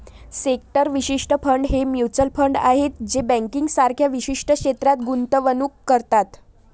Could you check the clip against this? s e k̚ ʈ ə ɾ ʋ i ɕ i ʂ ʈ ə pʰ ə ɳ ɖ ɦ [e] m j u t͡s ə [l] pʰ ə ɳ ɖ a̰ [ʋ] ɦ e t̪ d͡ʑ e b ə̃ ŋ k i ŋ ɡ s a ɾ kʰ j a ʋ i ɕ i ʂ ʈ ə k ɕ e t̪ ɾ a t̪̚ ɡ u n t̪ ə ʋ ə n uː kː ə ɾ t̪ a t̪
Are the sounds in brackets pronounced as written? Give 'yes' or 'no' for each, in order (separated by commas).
yes, yes, no